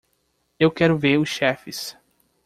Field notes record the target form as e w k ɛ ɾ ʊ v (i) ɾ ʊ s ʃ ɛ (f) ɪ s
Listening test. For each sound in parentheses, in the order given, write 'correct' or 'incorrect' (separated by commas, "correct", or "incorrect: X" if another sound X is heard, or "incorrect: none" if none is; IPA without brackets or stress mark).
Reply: incorrect: e, correct